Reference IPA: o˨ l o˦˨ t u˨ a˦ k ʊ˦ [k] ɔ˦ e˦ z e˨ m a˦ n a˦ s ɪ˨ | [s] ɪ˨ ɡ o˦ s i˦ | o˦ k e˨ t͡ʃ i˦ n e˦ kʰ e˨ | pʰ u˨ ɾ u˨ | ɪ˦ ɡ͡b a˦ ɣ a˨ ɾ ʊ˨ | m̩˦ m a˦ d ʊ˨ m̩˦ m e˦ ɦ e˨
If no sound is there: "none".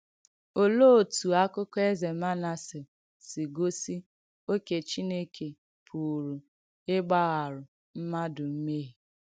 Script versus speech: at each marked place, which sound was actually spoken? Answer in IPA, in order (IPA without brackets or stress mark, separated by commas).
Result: k, s